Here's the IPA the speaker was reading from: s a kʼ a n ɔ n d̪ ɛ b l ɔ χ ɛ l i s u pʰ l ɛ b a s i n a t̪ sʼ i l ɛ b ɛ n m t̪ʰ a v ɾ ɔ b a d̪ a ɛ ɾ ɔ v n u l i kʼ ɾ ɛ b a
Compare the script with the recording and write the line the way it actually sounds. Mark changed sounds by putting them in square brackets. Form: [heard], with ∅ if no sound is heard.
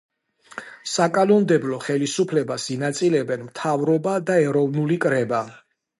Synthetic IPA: s a kʼ a n ɔ n d̪ ɛ b l ɔ χ ɛ l i s u pʰ l ɛ b a s i n a t̪ sʼ i l ɛ b ɛ n m t̪ʰ a v ɾ ɔ b a d̪ a ɛ ɾ ɔ v n u l i kʼ ɾ ɛ b a